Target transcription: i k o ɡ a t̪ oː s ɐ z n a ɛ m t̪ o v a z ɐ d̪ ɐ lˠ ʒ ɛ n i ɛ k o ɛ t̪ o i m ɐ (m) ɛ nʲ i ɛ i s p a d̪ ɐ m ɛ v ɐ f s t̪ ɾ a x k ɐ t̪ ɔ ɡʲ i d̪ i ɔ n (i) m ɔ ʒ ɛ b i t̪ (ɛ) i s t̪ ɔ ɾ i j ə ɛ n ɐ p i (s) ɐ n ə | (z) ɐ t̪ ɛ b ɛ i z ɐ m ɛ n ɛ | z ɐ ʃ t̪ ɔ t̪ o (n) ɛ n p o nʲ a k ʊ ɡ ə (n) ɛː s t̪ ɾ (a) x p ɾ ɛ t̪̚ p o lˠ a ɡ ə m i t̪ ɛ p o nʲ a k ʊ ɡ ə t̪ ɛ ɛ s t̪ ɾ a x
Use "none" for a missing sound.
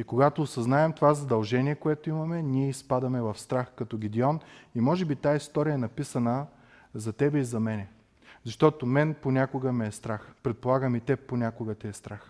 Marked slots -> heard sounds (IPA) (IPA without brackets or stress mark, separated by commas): m, i, a, s, z, m, m, a